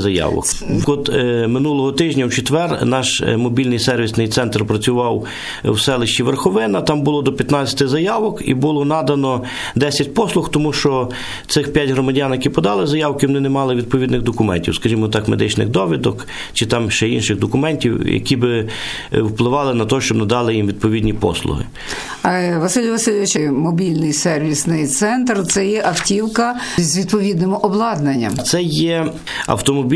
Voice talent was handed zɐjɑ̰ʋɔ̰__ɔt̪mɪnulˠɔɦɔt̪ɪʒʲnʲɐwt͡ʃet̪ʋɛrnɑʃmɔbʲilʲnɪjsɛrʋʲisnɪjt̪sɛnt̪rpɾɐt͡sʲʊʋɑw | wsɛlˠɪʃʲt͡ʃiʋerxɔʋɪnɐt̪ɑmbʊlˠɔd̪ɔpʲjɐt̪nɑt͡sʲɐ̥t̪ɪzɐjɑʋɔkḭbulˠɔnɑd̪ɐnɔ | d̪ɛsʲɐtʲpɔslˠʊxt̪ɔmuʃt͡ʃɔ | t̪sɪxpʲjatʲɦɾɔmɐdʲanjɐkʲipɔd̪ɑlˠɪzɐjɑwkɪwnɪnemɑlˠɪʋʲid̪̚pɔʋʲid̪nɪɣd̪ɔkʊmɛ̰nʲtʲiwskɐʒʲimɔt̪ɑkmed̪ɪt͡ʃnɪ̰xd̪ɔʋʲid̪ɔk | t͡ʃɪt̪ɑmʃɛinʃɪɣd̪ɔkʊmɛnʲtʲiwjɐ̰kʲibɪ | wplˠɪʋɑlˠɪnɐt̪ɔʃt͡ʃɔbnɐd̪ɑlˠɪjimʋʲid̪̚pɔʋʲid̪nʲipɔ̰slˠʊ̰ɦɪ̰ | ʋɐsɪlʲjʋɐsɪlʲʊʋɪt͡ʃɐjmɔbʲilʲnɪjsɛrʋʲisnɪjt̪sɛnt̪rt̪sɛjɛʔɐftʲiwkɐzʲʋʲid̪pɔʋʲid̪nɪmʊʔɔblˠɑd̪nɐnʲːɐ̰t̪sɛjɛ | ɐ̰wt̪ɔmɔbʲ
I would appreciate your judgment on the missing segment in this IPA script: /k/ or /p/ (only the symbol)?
k